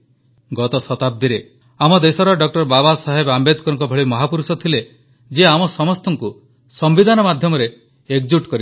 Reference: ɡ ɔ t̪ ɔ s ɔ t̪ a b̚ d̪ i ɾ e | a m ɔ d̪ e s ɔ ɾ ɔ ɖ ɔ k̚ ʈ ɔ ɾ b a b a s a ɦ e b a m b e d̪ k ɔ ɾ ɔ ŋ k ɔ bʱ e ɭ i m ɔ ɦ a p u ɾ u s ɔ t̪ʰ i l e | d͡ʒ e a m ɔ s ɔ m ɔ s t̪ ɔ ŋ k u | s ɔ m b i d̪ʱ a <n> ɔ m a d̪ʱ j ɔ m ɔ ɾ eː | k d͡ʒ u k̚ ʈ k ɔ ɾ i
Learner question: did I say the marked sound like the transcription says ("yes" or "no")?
yes